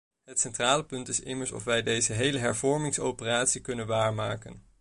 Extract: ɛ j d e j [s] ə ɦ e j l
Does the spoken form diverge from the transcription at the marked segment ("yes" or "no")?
yes